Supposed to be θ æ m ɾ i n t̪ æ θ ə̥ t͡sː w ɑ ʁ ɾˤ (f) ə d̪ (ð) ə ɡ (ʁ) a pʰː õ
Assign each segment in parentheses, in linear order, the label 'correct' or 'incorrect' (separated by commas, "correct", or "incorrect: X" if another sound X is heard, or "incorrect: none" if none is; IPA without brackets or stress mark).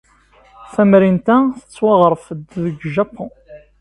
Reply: correct, correct, incorrect: ʒ